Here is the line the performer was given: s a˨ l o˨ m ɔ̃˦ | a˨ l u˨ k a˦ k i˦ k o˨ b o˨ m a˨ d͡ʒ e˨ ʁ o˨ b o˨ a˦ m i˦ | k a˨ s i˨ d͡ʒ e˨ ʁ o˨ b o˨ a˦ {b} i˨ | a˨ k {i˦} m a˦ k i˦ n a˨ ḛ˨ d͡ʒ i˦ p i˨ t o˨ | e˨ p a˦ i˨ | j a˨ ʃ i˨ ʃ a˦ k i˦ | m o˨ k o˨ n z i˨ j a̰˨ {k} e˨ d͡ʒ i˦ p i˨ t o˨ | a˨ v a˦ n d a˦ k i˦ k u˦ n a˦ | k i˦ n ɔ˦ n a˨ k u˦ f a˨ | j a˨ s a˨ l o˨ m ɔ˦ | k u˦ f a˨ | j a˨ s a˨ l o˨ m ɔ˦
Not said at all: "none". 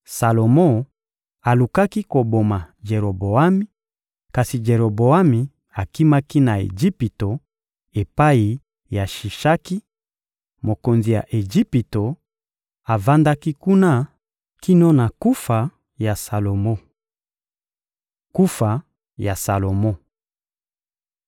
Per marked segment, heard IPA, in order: m, i˦, ʔ

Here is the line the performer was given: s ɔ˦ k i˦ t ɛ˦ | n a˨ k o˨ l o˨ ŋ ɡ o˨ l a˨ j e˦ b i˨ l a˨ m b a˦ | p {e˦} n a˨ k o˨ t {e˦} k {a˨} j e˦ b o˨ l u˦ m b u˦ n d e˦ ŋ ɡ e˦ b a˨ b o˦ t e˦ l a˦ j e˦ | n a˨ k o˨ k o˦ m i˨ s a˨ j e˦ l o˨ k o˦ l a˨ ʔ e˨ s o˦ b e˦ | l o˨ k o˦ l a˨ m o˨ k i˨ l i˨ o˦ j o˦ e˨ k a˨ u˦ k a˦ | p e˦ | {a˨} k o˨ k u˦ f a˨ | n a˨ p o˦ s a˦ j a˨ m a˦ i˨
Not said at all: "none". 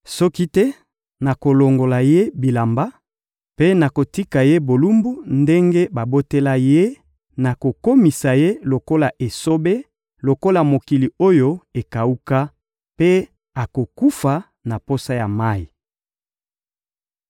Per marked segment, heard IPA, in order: e˦, i˦, a˨, a˨

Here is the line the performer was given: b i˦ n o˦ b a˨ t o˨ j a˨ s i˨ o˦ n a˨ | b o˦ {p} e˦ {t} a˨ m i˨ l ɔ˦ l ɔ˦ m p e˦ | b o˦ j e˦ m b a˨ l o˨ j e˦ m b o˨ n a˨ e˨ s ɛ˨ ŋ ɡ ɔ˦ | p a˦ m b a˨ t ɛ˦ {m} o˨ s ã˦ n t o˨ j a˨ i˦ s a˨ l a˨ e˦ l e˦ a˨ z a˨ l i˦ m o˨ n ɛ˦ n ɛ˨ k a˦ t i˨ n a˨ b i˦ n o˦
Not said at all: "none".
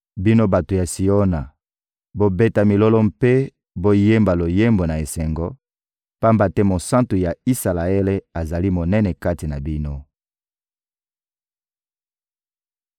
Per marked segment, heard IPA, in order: b, t, m

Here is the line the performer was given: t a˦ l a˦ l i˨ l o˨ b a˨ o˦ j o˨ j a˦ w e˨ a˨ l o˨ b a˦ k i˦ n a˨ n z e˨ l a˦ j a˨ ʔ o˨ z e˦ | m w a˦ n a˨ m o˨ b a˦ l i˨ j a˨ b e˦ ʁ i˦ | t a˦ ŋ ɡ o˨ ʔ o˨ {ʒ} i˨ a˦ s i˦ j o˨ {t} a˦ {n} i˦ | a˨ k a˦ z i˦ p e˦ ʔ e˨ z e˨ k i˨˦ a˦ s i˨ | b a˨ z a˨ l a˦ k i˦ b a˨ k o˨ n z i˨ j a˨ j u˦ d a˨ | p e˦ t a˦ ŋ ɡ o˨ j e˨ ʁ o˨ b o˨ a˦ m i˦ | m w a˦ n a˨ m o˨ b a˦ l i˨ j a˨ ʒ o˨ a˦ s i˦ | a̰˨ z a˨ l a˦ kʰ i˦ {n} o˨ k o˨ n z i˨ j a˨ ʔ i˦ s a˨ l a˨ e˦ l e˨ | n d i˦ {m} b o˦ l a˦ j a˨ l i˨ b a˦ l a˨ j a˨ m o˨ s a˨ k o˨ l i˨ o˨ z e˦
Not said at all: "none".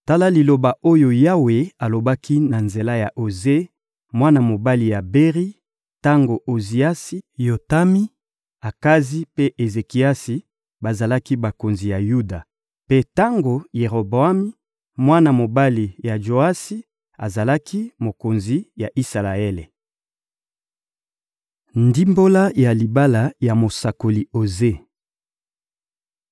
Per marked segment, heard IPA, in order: z, t, m, m, m

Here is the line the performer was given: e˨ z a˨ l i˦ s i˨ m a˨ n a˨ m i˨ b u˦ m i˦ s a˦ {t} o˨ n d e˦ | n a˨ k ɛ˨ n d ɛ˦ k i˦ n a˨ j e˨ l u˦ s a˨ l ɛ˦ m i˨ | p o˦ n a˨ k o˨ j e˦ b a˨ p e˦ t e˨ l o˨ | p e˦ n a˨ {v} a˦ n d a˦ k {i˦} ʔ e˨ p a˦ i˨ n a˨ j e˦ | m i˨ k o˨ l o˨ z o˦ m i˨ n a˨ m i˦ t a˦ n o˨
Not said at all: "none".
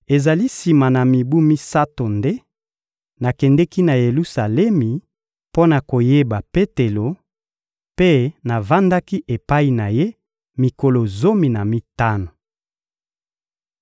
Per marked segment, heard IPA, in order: t, v, i˦

